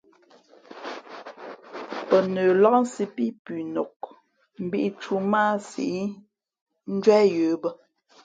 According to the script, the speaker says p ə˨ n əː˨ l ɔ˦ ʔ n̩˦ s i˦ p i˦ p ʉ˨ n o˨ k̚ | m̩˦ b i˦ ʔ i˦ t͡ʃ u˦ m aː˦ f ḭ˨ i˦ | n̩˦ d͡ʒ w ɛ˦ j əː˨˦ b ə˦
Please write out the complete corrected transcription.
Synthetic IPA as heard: p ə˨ n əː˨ l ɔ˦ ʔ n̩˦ s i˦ p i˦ p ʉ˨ n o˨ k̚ | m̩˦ b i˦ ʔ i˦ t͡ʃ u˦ m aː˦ s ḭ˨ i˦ | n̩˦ d͡ʒ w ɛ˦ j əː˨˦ b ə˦

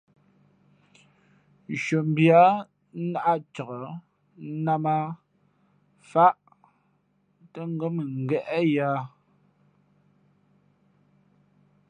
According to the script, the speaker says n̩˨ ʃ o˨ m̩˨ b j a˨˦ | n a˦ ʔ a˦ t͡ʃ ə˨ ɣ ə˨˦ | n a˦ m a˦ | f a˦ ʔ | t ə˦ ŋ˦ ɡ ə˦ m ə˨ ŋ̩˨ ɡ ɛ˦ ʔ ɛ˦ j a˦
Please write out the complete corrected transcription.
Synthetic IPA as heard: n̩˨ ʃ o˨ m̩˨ b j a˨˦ | n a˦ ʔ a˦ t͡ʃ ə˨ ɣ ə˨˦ | n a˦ m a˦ | f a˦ ʔ | t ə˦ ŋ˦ ɡ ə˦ m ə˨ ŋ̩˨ ɡ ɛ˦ ʔ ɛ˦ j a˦

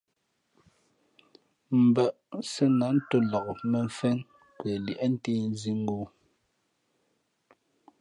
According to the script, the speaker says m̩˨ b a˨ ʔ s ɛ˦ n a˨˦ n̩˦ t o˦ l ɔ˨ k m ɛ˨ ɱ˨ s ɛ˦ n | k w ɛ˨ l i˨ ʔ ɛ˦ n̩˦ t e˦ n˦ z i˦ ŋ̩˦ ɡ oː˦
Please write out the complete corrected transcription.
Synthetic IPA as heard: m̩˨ b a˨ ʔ s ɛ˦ n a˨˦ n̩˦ t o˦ l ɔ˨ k m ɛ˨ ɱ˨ f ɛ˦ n | k w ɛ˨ l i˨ ʔ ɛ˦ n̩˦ t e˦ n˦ z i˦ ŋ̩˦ ɡ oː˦

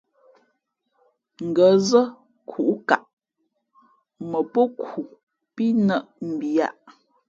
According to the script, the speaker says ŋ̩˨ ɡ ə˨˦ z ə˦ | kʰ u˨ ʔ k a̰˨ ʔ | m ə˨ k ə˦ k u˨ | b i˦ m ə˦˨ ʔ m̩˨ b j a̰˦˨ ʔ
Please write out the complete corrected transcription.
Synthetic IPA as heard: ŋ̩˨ ɡ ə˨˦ z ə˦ | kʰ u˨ ʔ k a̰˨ ʔ | m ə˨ p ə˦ k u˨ | p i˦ n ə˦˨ ʔ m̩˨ b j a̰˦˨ ʔ

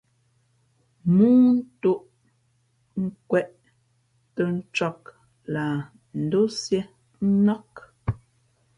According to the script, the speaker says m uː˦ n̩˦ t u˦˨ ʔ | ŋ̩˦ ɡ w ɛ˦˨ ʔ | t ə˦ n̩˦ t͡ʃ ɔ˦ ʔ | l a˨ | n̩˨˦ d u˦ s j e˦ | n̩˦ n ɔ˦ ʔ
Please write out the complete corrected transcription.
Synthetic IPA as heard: m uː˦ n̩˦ t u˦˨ ʔ | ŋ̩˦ k w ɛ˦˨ ʔ | t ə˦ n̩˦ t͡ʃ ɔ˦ k | l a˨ | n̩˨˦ d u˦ s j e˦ | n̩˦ n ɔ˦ k

